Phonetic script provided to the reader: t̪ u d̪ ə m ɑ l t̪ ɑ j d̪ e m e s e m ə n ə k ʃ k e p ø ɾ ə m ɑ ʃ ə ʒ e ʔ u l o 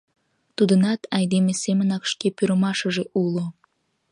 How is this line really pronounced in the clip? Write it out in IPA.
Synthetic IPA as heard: t̪ u d̪ ə n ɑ t̪ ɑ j d̪ e m e s e m ə n ɑ k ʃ k e p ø ɾ ə m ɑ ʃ ə ʒ e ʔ u l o